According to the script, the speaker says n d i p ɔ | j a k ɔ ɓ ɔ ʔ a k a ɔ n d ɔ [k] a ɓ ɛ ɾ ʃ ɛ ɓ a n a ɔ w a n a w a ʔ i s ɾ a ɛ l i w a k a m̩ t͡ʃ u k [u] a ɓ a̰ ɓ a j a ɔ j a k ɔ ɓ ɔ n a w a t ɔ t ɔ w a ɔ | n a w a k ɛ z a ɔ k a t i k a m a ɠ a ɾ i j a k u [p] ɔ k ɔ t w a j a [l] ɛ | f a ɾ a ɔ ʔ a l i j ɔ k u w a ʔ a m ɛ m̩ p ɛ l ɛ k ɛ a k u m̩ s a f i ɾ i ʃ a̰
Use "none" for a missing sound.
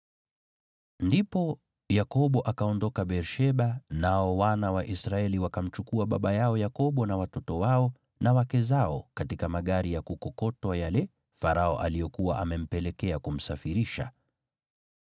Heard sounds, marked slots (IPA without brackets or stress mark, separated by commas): k, u, k, l